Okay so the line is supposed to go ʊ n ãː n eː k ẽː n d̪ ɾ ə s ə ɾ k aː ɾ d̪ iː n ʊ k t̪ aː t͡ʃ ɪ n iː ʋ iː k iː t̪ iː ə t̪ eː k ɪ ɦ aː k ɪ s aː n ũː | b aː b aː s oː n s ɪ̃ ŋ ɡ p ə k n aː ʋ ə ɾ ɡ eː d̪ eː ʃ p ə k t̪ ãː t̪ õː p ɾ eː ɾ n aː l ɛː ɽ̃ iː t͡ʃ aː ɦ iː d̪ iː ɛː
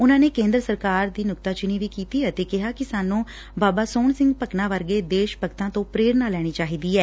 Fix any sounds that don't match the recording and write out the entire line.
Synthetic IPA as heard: ʊ n ãː n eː k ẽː n d̪ ɾ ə s ə ɾ k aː ɾ d̪ iː n ʊ k t̪ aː t͡ʃ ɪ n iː ʋ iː k iː t̪ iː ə t̪ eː k ɪ ɦ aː k ɪ s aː n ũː | b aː b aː s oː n s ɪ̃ ŋ ɡ p ə k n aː ʋ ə ɾ ɡ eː d̪ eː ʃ p ə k t̪ ãː t̪ õː p ɾ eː ɾ n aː l ɛː ɽ̃ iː t͡ʃ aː ɦ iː d̪ iː ɛː